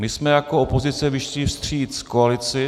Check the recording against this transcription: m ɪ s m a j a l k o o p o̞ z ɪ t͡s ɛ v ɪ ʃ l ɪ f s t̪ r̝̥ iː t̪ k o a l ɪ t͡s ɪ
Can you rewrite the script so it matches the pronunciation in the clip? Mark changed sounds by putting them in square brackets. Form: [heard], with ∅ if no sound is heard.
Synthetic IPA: m ɪ s m [ɛ] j a [∅] k o o p o̞ z ɪ t͡s ɛ v ɪ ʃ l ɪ f s t̪ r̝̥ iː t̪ k o a l ɪ t͡s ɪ